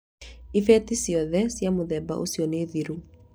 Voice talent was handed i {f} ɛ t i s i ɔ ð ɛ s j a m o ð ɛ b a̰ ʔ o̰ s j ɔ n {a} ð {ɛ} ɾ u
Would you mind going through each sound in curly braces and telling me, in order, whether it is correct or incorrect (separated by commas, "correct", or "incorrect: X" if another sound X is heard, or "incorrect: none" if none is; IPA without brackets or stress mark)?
correct, incorrect: e, incorrect: i